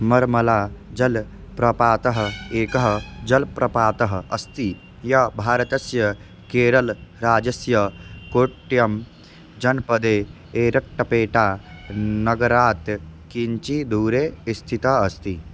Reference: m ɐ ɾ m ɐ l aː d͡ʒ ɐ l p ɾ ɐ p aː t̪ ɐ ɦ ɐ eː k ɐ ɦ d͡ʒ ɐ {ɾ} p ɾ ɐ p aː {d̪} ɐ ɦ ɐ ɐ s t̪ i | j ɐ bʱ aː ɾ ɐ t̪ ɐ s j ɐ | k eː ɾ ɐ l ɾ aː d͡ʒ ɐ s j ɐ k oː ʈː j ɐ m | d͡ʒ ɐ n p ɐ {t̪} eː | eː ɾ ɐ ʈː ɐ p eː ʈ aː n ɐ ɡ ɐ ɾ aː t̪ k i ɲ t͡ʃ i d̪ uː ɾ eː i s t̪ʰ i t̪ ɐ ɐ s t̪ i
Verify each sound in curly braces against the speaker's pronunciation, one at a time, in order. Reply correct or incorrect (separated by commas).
incorrect, incorrect, incorrect